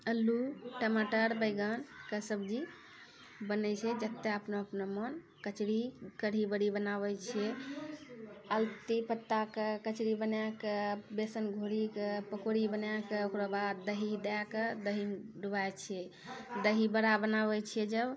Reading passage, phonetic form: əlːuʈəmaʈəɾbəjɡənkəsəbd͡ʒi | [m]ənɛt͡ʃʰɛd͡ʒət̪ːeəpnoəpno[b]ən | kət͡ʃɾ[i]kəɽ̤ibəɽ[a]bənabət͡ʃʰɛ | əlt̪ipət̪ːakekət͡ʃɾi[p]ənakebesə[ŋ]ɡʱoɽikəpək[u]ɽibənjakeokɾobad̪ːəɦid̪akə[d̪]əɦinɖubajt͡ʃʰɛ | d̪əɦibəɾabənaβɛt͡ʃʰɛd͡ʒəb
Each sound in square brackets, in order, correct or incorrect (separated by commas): incorrect, incorrect, correct, incorrect, incorrect, incorrect, incorrect, correct